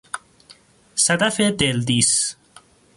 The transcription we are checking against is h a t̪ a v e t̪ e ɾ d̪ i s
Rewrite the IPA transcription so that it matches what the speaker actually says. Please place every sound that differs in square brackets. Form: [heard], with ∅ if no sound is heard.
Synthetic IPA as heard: [s] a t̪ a [f] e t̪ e [l] d̪ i s